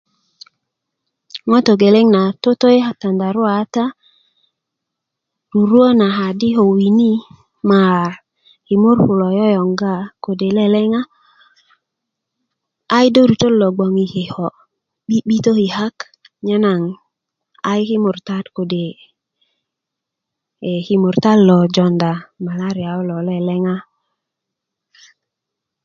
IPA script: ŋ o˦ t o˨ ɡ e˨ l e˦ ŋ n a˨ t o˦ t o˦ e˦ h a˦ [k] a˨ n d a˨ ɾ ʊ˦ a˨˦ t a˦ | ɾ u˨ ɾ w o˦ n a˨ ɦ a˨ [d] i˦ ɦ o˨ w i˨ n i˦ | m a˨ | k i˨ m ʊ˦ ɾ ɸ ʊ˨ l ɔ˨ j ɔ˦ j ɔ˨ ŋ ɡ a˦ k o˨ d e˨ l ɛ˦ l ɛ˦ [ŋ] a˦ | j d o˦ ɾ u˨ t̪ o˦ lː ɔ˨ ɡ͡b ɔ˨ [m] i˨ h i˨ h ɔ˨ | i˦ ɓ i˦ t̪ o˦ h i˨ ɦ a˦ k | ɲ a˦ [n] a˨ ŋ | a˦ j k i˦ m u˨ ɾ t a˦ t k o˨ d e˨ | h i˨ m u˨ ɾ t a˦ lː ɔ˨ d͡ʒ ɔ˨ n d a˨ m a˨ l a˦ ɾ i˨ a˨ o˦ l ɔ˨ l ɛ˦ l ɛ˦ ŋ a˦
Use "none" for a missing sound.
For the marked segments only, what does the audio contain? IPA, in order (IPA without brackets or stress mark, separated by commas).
t, d, ŋ, ŋ, n